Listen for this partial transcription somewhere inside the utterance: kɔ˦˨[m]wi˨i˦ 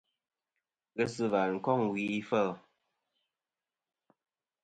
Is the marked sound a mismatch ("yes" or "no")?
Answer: yes